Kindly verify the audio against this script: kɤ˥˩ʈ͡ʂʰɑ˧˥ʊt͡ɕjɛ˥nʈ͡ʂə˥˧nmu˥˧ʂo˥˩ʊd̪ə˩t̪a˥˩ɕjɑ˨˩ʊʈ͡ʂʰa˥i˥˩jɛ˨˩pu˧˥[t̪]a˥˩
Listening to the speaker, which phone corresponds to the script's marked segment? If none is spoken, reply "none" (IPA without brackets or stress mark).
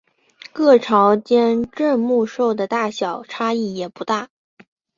t̪